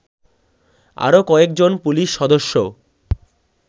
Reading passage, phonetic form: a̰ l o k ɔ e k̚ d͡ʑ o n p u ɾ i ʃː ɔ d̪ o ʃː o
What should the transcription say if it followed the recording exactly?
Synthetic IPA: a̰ ɾ o k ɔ e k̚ d͡ʑ o n p u l i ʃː ɔ d̪ o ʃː o